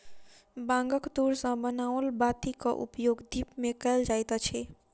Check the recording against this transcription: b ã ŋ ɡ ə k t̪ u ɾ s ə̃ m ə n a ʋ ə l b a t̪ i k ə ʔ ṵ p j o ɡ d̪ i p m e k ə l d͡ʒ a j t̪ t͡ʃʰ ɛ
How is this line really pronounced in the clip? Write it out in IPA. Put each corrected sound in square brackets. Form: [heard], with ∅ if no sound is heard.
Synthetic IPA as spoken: b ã ŋ ɡ ə k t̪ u ɾ s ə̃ [b] ə n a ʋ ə l b a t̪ i k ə ʔ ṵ p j o ɡ d̪ i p m e k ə l d͡ʒ a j t̪ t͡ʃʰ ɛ